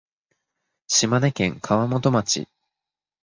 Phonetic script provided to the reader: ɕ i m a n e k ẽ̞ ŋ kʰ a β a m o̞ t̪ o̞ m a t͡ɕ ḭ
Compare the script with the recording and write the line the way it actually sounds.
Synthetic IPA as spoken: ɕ i m a n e k ẽ̞ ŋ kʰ a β a m o̞ t̪ o̞ m a t͡ɕ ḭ